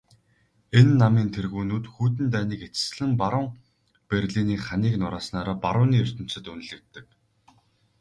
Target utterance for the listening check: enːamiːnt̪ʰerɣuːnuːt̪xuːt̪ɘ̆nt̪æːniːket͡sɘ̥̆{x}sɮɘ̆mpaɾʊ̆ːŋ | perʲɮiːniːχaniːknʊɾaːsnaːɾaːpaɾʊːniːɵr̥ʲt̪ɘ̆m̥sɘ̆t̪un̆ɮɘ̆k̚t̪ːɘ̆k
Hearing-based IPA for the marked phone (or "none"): none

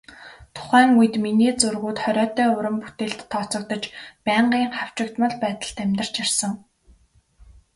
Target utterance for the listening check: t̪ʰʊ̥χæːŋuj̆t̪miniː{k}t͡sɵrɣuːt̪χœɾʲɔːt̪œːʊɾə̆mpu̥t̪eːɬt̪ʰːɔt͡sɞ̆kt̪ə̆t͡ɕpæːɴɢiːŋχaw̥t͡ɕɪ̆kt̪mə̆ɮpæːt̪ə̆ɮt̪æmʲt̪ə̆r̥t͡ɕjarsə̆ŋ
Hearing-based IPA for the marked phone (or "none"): none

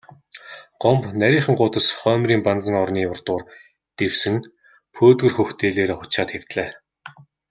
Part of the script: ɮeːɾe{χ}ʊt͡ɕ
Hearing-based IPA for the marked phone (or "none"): χ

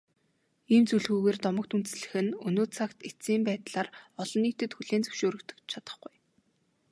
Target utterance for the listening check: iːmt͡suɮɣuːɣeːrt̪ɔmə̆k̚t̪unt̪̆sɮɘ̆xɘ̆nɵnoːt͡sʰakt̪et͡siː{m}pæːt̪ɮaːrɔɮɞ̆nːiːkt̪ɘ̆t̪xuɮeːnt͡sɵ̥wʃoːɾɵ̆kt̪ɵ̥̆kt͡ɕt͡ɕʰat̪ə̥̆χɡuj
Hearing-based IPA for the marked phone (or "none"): m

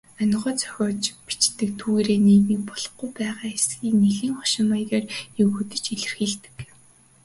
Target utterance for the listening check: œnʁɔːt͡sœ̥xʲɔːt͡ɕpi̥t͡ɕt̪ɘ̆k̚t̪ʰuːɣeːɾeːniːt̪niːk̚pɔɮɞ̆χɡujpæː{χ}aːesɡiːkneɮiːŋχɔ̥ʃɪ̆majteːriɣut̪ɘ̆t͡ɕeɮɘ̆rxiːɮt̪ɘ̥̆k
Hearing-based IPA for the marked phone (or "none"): ʁ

